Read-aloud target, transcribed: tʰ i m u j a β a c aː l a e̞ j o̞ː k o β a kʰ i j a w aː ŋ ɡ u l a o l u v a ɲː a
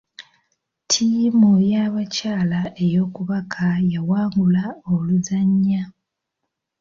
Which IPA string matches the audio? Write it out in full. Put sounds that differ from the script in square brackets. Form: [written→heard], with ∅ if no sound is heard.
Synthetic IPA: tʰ i m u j a β a c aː l a e̞ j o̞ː k [o→u] β a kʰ [i→a] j a w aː ŋ ɡ u l a o l u [v→z] a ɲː a